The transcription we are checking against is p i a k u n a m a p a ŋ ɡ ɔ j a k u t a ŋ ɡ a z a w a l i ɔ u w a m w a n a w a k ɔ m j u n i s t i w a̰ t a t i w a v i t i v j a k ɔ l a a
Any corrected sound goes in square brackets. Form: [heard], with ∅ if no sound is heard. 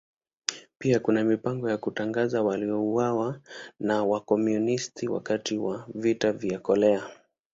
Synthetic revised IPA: p i a k u n a m [i] p a ŋ ɡ ɔ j a k u t a ŋ ɡ a z a w a l i ɔ u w a [∅] w a n a w a k ɔ m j u n i s t i w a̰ [k] a t i w a v i t [a] v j a k ɔ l [ɛ] a

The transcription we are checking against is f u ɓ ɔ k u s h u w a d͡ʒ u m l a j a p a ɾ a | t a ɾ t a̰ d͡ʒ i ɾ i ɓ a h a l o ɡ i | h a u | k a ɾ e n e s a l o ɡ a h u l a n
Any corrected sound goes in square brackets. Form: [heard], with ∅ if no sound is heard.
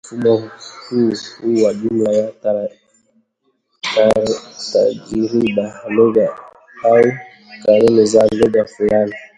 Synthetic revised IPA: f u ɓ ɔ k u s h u w a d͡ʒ u m l a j a [t] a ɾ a | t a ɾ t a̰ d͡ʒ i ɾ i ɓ a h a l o ɡ [a] | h a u | k a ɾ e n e [z] a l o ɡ a [f] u l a n

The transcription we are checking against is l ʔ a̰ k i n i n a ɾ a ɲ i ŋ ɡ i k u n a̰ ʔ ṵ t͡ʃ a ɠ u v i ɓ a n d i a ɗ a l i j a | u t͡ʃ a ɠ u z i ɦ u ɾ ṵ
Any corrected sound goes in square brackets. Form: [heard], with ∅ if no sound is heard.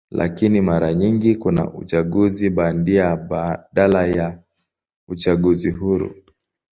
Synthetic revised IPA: l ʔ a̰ k i n i [m] a ɾ a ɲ i ŋ ɡ i k u n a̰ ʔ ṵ t͡ʃ a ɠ u [z] i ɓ a n d i a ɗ a l [a] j a | u t͡ʃ a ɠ u z i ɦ u ɾ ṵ

